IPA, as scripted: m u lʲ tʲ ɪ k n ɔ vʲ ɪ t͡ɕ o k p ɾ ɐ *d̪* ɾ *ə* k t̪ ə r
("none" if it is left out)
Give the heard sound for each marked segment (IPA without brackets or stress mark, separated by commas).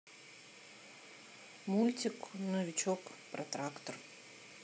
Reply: t̪, a